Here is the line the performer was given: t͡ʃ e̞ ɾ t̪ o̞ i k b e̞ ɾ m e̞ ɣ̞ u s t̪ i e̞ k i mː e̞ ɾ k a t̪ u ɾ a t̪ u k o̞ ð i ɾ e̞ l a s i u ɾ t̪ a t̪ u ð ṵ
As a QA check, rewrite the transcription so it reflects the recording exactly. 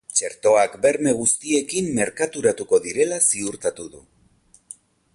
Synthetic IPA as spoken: t͡ʃ e̞ ɾ t̪ o̞ a k b e̞ ɾ m e̞ ɣ̞ u s t̪ i e̞ k i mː e̞ ɾ k a t̪ u ɾ a t̪ u k o̞ ð i ɾ e̞ l a s i u ɾ t̪ a t̪ u ð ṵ